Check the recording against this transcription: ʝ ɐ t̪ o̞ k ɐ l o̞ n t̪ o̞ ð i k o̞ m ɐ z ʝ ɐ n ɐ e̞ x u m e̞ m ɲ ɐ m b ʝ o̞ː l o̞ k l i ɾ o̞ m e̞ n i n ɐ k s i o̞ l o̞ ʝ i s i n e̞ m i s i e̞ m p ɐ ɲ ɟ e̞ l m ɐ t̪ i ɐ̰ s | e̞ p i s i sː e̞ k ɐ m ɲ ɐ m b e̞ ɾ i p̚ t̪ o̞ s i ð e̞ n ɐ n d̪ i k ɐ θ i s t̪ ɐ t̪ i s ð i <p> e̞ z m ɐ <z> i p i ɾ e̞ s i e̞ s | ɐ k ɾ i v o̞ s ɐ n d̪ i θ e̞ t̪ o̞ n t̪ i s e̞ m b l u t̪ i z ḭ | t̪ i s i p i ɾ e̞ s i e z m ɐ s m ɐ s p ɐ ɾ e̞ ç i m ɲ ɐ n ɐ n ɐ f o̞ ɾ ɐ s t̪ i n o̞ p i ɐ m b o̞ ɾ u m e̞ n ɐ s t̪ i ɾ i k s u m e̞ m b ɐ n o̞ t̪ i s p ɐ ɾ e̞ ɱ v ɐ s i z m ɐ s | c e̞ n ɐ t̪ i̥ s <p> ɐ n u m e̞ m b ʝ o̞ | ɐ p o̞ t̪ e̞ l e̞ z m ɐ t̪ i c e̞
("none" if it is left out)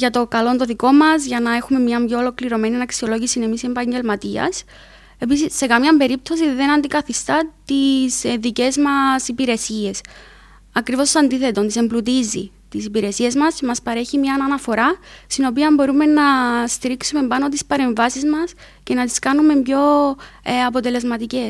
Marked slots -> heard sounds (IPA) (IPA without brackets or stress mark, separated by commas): c, s, k